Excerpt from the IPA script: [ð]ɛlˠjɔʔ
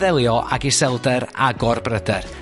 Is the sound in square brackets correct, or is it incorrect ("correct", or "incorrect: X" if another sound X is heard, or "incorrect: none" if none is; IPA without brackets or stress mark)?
correct